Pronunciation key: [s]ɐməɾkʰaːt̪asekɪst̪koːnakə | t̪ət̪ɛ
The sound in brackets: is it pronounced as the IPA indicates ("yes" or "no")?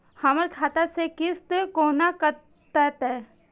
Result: no